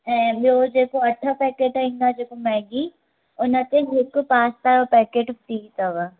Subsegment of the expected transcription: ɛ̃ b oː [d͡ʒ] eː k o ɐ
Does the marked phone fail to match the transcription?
no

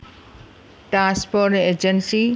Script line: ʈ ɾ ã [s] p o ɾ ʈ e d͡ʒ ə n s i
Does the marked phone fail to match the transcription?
no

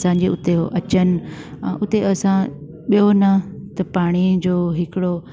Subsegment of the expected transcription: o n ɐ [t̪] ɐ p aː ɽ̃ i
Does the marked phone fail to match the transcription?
no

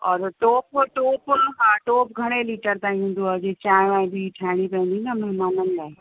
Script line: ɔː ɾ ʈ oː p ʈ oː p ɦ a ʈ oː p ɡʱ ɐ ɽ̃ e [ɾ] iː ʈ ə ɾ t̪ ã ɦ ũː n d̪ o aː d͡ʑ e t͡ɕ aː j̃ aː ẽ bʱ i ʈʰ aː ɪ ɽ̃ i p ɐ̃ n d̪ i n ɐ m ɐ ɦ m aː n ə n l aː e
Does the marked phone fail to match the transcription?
yes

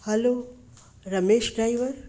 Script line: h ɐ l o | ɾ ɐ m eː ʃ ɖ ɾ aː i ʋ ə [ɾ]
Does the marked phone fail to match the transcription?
no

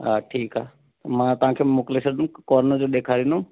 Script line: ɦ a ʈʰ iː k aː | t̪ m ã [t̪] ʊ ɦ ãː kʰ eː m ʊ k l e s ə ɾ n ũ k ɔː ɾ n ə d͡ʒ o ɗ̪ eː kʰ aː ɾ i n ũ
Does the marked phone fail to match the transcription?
no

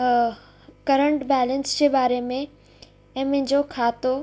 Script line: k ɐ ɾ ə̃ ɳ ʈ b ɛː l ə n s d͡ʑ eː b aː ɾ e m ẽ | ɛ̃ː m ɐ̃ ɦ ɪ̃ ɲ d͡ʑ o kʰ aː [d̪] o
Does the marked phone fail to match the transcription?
yes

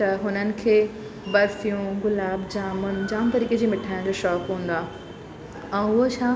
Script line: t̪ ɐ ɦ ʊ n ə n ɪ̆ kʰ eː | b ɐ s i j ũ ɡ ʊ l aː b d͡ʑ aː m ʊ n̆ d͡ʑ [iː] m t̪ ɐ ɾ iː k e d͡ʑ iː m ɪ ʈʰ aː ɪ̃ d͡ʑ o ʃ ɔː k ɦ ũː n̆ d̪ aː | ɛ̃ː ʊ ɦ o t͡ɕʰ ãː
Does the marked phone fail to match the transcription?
yes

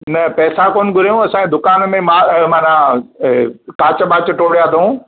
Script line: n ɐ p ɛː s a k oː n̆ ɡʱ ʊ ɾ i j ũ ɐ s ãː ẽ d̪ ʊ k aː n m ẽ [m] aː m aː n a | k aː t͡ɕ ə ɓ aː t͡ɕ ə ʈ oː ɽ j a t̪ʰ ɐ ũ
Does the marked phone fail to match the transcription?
no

